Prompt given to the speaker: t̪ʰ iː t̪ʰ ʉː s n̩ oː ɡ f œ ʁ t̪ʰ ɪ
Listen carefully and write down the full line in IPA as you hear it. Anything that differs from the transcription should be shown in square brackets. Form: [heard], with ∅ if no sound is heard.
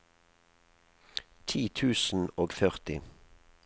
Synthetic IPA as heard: t̪ʰ iː t̪ʰ ʉː s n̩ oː ɡ f œ ʁ [t̪] ɪ